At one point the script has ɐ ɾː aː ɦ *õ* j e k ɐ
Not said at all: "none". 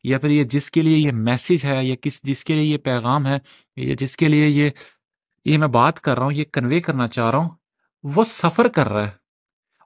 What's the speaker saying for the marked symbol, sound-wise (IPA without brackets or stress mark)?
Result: ũ